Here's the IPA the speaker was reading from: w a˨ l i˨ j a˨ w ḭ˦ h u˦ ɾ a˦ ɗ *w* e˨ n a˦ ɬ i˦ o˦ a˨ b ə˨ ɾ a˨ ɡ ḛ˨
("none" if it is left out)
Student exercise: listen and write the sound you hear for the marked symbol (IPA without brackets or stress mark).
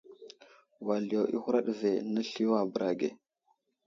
v